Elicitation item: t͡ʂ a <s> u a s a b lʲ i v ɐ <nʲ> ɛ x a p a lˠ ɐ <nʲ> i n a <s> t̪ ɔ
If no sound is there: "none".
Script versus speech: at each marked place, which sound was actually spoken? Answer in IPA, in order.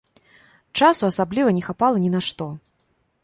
s, nʲ, nʲ, ʂ

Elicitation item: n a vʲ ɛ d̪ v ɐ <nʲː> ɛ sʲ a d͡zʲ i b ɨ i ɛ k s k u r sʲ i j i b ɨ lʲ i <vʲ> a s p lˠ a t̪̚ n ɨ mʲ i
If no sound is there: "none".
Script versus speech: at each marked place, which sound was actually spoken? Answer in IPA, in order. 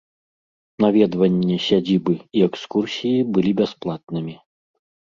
nʲː, bʲ

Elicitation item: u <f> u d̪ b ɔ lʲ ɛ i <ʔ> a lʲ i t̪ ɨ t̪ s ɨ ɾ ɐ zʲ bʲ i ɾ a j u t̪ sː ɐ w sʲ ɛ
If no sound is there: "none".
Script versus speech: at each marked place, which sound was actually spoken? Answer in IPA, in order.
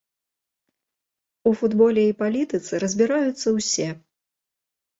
f, p

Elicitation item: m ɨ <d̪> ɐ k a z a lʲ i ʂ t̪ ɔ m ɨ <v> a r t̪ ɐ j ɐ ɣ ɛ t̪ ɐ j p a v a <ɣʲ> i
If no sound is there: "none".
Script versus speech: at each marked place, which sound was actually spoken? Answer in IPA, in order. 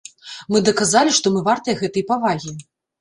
d̪, v, ɣʲ

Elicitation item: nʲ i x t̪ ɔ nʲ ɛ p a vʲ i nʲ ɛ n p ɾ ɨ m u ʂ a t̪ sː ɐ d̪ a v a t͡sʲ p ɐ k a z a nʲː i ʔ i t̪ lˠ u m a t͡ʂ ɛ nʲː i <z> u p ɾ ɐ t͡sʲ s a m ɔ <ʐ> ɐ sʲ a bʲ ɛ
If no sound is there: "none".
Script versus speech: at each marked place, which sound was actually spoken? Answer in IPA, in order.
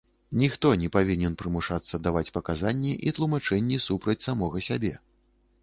s, ɣ

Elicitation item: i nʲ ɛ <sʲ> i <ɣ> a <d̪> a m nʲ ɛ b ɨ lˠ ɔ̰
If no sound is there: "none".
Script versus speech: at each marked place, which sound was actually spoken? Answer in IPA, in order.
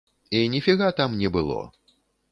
fʲ, ɣ, t̪

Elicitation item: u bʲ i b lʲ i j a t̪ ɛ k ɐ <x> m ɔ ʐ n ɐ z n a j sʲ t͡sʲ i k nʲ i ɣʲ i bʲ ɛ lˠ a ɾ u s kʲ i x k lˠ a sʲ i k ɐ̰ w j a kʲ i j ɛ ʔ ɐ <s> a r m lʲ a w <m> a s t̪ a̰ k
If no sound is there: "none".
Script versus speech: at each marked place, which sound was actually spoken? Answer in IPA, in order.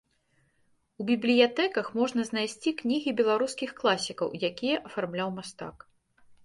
x, f, m

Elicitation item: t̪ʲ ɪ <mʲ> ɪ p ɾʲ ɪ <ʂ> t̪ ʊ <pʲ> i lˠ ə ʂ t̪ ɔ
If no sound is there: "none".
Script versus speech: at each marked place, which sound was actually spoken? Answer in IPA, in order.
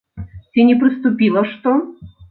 nʲ, s, pʲ

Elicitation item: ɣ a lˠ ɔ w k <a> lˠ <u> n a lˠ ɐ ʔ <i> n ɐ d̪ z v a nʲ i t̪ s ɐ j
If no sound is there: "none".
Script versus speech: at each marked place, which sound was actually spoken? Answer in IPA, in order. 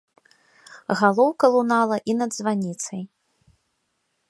ɐ, u, i

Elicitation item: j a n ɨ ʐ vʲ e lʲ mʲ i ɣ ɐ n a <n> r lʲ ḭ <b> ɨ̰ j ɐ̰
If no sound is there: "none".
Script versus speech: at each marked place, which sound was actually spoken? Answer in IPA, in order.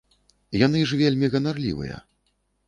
none, v

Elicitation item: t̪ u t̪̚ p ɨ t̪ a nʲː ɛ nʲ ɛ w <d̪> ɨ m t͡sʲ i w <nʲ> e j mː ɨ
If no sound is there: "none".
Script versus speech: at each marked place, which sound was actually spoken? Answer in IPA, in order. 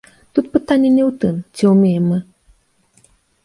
t̪, mʲ

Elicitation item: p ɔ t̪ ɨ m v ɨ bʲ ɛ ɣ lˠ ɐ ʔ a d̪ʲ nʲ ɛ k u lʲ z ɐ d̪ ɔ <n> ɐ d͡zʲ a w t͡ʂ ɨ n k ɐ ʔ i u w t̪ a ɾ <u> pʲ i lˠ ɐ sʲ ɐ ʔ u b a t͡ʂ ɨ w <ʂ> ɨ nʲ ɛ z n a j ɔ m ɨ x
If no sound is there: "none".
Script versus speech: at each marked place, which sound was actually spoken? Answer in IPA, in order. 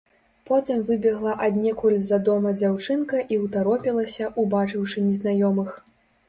m, ɔ, ʂ

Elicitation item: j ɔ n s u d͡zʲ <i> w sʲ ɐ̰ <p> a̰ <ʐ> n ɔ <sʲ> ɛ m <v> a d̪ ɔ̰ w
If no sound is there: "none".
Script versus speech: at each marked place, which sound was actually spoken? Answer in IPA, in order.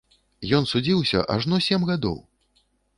i, ʔ, ʐ, sʲ, ɣ

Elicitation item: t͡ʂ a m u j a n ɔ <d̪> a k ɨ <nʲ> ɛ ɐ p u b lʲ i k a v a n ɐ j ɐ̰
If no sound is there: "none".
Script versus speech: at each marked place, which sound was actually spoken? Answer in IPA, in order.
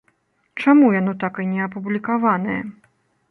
t̪, nʲ

